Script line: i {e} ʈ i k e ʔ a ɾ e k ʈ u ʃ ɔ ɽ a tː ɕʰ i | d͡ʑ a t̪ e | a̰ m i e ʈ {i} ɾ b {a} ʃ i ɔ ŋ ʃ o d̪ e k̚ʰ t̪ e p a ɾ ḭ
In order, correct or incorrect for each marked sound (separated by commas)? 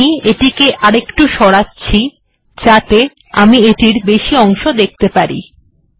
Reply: correct, correct, incorrect